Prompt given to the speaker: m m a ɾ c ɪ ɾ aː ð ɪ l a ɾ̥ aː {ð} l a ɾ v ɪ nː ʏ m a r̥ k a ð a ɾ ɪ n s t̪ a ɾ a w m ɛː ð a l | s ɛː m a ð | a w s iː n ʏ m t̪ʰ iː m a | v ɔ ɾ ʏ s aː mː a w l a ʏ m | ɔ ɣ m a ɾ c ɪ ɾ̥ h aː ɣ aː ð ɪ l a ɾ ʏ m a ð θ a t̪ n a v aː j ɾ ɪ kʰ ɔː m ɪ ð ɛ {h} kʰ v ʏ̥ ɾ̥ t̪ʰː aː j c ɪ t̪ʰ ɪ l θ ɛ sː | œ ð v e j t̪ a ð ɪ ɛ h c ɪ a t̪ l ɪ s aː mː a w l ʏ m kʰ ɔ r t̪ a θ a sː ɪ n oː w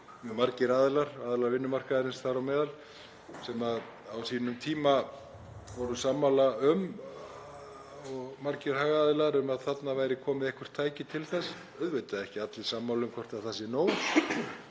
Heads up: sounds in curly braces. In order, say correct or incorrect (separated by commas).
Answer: correct, correct